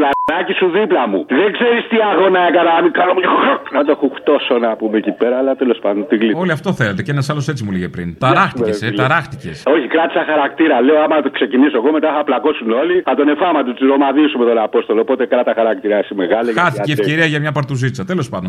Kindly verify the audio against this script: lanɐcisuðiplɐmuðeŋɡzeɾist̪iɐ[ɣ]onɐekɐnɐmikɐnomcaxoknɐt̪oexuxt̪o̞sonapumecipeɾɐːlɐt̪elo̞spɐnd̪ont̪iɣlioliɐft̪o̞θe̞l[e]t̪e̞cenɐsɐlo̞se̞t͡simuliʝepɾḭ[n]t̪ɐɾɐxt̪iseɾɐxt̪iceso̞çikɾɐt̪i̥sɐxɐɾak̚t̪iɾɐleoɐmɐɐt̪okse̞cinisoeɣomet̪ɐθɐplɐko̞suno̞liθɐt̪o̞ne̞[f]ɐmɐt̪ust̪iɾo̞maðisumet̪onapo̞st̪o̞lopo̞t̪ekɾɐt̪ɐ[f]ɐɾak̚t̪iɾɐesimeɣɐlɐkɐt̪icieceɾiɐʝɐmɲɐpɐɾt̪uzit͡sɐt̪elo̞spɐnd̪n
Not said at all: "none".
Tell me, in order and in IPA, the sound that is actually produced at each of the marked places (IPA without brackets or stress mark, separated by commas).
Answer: ɣ, e, n, f, x